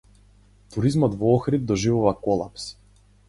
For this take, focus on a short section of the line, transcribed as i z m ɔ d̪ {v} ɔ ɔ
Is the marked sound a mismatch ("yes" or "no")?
no